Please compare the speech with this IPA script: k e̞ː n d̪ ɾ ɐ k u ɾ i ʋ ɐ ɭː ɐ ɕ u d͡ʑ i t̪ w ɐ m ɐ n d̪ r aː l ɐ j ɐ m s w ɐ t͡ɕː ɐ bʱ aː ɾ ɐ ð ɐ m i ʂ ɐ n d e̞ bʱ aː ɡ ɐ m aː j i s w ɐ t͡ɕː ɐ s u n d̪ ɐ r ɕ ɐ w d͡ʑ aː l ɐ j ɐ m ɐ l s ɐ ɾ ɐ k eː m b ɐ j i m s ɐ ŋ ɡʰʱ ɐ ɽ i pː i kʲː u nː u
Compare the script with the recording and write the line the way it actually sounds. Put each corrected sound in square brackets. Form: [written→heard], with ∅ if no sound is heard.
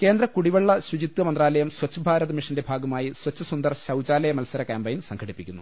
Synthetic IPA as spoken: k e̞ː n d̪ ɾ ɐ k u [ɾ→ɽ] i ʋ ɐ ɭː ɐ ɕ u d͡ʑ i t̪ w ɐ m ɐ n d̪ r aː l ɐ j ɐ m s w ɐ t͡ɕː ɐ bʱ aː ɾ ɐ ð ɐ m i ʂ ɐ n d e̞ bʱ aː ɡ ɐ m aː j i s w ɐ t͡ɕː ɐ s u n d̪ ɐ r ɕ ɐ w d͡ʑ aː l ɐ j ɐ m ɐ l s ɐ ɾ ɐ k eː m b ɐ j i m s ɐ ŋ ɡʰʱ ɐ ɽ i pː i kʲː u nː u